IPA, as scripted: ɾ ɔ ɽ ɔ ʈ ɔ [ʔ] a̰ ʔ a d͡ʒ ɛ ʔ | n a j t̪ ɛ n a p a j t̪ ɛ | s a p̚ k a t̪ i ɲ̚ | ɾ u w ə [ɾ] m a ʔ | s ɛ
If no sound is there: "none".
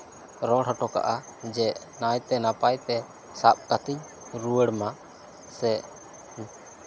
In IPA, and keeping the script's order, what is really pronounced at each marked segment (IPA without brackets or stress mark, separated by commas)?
k, ɽ